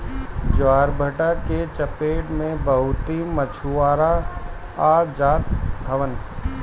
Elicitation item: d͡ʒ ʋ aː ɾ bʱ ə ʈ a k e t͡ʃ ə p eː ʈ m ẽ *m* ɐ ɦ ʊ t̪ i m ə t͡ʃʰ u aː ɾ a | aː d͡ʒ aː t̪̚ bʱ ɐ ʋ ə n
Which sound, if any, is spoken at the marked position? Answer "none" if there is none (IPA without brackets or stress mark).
b